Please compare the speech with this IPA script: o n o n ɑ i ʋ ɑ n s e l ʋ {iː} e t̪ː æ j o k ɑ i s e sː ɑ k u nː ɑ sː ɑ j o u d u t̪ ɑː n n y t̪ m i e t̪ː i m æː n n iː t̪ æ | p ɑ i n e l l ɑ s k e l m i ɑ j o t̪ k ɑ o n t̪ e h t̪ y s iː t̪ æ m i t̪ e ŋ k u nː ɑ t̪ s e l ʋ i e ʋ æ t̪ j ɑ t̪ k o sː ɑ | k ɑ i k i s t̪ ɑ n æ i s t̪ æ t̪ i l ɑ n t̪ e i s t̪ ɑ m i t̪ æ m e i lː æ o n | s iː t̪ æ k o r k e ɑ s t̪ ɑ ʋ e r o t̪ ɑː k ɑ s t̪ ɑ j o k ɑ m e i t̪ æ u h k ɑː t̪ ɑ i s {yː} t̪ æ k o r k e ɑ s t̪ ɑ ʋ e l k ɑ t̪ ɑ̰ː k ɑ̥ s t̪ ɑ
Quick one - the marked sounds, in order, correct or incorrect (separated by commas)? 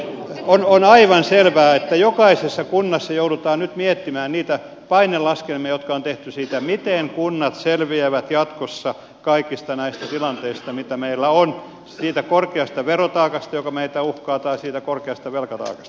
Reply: incorrect, incorrect